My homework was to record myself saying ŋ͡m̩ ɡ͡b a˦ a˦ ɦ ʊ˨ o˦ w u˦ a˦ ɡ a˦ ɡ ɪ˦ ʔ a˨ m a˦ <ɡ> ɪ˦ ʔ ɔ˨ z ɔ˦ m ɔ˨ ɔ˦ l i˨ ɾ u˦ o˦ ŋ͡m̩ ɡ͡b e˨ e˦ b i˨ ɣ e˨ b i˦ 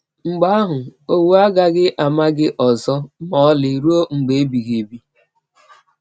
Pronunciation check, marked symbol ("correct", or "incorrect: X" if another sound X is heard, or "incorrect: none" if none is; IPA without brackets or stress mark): correct